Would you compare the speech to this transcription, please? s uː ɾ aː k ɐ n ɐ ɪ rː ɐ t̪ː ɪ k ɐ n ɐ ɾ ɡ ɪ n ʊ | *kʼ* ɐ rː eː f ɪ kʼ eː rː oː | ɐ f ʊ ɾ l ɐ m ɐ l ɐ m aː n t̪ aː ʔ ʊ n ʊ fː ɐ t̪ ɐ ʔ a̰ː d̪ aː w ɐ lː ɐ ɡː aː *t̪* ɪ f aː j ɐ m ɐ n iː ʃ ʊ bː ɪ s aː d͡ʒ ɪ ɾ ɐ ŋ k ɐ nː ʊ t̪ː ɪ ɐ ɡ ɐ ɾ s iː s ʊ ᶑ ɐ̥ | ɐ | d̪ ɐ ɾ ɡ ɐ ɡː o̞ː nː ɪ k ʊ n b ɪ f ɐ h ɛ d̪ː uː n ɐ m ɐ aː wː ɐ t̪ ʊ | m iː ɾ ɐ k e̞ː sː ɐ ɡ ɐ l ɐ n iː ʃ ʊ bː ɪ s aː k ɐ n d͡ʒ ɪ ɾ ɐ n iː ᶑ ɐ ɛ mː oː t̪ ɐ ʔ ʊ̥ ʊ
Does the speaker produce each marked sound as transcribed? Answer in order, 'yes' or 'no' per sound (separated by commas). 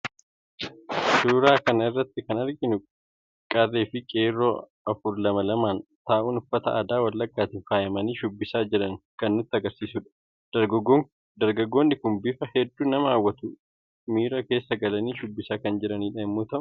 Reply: yes, yes